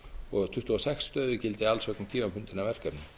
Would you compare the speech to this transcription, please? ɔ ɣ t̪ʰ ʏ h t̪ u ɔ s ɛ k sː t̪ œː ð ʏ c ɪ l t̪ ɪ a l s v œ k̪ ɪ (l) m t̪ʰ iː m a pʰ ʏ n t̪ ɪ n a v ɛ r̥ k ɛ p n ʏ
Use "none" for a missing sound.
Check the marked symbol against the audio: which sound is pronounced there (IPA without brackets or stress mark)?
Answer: none